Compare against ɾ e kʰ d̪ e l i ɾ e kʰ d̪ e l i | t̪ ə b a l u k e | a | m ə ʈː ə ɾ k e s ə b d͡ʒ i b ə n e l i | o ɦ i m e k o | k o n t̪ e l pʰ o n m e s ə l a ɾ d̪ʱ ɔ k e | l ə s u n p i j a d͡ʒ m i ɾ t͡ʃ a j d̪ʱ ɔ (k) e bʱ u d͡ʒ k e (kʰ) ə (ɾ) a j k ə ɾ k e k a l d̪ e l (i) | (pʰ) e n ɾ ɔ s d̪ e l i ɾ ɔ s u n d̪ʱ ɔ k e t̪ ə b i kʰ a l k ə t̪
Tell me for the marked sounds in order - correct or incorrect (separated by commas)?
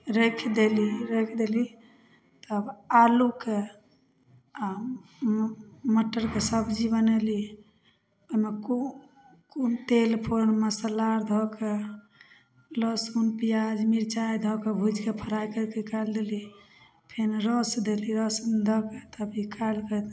correct, incorrect, correct, correct, correct